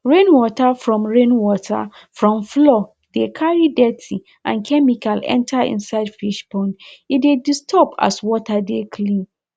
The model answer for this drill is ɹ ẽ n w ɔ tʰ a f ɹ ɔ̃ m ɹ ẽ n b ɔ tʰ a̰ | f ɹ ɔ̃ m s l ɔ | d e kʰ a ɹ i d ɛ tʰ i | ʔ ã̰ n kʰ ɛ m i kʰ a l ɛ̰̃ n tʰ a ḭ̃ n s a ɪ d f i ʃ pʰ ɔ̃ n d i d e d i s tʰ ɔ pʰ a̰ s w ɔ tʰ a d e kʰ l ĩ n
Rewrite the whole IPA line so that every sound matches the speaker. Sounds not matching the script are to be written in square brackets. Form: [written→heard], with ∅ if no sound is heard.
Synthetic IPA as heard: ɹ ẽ n w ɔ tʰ a f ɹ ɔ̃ m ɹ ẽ n [b→w] ɔ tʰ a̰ | f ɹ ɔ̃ m [s→f] l ɔ | d e kʰ a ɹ i d ɛ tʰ i | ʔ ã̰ n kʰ ɛ m i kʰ a l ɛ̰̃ n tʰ a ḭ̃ n s a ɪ d f i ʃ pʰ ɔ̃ n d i d e d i s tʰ ɔ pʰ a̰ s w ɔ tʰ a d e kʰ l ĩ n